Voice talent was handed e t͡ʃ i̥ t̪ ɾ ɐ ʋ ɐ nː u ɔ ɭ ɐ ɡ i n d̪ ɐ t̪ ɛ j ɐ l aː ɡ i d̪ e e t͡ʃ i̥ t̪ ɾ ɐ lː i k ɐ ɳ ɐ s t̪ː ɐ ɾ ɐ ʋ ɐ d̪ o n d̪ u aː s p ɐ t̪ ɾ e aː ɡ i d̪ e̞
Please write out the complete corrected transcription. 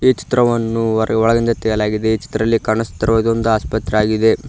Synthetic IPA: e t͡ʃ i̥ t̪ ɾ ɐ ʋ ɐ nː u ɔ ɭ ɐ ɡ i n d̪ ɐ t̪ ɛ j ɐ l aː ɡ i d̪ e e t͡ʃ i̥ t̪ ɾ ɐ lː i k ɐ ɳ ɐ s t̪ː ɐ ɾ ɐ ʋ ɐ d̪ o n d̪ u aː s p ɐ t̪ ɾ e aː ɡ i d̪ e̞

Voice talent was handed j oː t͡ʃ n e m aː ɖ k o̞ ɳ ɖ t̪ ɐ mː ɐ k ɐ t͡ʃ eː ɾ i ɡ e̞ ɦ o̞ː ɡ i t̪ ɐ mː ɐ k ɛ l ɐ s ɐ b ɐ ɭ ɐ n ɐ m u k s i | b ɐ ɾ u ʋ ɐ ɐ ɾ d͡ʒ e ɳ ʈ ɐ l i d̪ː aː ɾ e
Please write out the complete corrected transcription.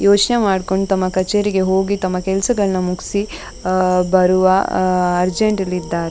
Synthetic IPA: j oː t͡ʃ n e m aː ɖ k o̞ ɳ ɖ t̪ ɐ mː ɐ k ɐ t͡ʃ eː ɾ i ɡ e̞ ɦ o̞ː ɡ i t̪ ɐ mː ɐ k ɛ l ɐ s ɐ ɡ ɐ ɭ ɐ n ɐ m u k s i | b ɐ ɾ u ʋ ɐ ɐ ɾ d͡ʒ e ɳ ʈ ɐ l i d̪ː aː ɾ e

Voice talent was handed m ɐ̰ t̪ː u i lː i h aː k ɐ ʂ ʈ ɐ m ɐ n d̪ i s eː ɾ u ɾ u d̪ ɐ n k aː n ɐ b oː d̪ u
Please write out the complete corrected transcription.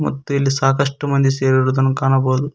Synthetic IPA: m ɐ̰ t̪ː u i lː i s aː k ɐ ʂ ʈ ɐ m ɐ n d̪ i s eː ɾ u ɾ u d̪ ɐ n k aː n ɐ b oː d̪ u

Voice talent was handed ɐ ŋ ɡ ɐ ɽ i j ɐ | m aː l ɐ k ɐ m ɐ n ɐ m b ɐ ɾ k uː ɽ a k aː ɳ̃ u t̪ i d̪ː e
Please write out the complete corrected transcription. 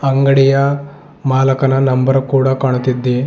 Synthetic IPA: ɐ ŋ ɡ ɐ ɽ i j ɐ | m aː l ɐ k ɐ n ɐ n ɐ m b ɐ ɾ k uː ɽ a k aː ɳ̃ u t̪ i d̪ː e

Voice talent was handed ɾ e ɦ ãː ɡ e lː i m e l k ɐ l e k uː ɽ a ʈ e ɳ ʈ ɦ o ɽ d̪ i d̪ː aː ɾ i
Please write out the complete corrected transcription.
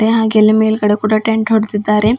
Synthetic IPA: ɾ e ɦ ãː ɡ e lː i m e l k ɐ ɽ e k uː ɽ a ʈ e ɳ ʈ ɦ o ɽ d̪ i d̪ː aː ɾ e

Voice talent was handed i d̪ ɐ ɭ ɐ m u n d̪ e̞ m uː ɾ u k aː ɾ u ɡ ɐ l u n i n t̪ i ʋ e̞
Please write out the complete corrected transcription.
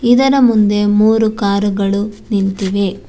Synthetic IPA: i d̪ ɐ ɾ ɐ m u n d̪ e̞ m uː ɾ u k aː ɾ u ɡ ɐ ɭ u n i n t̪ i ʋ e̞

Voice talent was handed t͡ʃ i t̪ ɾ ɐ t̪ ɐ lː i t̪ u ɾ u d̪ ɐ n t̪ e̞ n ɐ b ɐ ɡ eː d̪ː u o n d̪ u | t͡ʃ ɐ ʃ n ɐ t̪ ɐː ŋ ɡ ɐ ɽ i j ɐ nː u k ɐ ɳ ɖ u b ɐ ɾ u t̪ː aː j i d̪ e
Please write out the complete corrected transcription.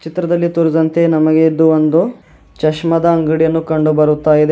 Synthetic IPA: t͡ʃ i t̪ ɾ ɐ d̪ ɐ lː i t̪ u ɾ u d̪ ɐ n t̪ e̞ n ɐ m ɐ ɡ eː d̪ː u o n d̪ u | t͡ʃ ɐ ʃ m ɐ d̪ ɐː ŋ ɡ ɐ ɽ i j ɐ nː u k ɐ ɳ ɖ u b ɐ ɾ u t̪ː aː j i d̪ e

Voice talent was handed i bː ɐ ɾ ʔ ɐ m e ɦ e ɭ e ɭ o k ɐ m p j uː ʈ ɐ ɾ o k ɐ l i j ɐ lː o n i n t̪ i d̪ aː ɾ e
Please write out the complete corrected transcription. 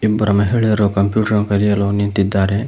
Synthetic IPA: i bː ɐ ɾ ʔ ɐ m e ɦ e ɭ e ɾ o k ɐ m p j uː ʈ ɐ ɾ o k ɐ ɾ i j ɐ l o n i n t̪ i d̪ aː ɾ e

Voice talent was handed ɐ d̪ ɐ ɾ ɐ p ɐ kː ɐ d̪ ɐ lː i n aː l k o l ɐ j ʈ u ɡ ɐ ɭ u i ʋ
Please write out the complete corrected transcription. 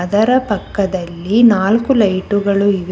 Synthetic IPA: ɐ d̪ ɐ ɾ ɐ p ɐ kː ɐ d̪ ɐ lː i n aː l k u l ɐ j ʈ u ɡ ɐ ɭ u i ʋ

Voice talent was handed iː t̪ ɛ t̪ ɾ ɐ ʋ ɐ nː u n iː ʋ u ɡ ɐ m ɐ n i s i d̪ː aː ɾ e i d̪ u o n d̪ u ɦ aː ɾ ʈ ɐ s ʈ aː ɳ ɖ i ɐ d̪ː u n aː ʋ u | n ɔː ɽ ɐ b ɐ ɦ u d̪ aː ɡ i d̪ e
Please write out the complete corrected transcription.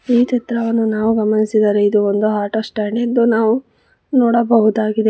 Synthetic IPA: iː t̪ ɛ t̪ ɾ ɐ ʋ ɐ nː u n aː ʋ u ɡ ɐ m ɐ n i s i d̪ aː ɾ e i d̪ u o n d̪ u ɦ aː ɾ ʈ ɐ s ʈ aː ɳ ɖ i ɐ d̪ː u n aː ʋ u | n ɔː ɽ ɐ b ɐ ɦ u d̪ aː ɡ i d̪ e

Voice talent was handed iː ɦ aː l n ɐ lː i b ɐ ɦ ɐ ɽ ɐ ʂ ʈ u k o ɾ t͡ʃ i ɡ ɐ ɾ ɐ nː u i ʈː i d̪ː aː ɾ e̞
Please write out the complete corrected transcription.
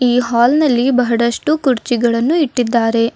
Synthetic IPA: iː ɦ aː l n ɐ lː i b ɐ ɦ ɐ ɽ ɐ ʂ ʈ u k u ɾ t͡ʃ i ɡ ɐ ɭ ɐ nː u i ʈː i d̪ː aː ɾ e̞

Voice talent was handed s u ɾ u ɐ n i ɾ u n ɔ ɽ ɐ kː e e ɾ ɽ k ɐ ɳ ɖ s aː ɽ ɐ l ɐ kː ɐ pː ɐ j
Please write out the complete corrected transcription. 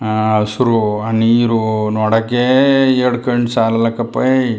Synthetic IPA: s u ɾ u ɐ n i ɾ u n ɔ ɽ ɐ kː e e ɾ ɽ k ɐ ɳ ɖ s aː l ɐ l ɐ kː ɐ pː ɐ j

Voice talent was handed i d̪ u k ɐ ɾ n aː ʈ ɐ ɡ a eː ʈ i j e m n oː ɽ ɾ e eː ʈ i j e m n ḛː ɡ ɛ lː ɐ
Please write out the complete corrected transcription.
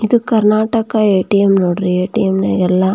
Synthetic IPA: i d̪ u k ɐ ɾ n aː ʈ ɐ k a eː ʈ i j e m n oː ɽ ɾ i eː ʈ i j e m n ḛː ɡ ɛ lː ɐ

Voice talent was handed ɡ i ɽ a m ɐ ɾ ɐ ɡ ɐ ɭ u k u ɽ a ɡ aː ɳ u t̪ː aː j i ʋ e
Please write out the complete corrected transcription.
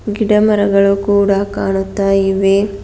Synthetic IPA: ɡ i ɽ ɐ m ɐ ɾ ɐ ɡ ɐ ɭ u k uː ɽ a k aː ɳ u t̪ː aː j i ʋ e

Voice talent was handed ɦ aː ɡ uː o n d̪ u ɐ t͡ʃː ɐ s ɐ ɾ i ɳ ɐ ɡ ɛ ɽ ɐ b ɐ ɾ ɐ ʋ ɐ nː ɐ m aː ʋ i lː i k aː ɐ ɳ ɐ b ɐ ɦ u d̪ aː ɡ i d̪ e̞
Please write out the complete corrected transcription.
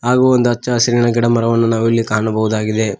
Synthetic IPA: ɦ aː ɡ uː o n d̪ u ɐ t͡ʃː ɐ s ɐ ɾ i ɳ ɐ ɡ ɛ ɽ ɐ m ɐ ɾ ɐ ʋ ɐ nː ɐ n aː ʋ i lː i k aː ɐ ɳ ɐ b ɐ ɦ u d̪ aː ɡ i d̪ e̞

